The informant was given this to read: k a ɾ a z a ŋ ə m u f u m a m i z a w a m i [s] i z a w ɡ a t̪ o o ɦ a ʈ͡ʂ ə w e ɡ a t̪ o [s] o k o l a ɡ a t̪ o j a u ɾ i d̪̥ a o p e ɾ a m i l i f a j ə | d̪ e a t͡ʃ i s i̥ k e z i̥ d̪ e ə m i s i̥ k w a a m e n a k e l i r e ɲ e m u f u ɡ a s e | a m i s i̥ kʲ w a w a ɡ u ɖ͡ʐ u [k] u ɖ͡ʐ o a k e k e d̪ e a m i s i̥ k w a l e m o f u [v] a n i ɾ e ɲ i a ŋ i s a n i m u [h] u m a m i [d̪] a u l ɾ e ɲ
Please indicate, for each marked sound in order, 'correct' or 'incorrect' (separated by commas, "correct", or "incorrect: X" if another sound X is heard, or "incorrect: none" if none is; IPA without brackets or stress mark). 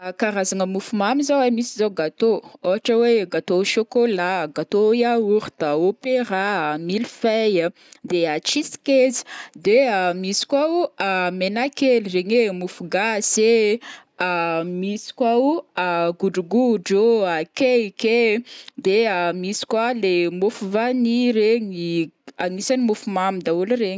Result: correct, incorrect: ʃ, incorrect: ɡ, correct, incorrect: f, correct